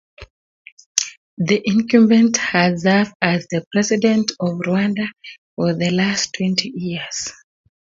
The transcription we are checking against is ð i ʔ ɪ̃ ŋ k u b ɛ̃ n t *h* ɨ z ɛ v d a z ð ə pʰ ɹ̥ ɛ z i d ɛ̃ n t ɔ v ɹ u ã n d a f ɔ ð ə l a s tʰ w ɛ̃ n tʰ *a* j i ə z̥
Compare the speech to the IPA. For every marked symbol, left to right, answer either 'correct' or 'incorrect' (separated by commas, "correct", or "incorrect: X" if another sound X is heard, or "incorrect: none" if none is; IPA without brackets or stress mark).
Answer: correct, incorrect: i